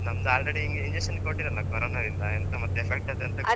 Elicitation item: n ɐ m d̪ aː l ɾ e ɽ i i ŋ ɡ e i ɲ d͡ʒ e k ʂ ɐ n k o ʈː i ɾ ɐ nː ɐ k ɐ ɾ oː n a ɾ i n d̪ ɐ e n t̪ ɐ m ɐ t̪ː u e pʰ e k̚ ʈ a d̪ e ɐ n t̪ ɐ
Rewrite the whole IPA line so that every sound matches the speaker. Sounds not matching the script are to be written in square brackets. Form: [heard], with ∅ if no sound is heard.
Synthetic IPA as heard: n ɐ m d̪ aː l ɾ e ɽ i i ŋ ɡ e i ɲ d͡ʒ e k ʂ ɐ n k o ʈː i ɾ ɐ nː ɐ k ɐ ɾ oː n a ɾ i n d̪ ɐ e n t̪ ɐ m ɐ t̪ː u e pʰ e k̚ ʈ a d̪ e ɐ n t̪ ɐ